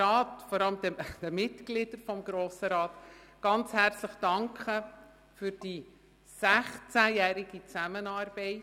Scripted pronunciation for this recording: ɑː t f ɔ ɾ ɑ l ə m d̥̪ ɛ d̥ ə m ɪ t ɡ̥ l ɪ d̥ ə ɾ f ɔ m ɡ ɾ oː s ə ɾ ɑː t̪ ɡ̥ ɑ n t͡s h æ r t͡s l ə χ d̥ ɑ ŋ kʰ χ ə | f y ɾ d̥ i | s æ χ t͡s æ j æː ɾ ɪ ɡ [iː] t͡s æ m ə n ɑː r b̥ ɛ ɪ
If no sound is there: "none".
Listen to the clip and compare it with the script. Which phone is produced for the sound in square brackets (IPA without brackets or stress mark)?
i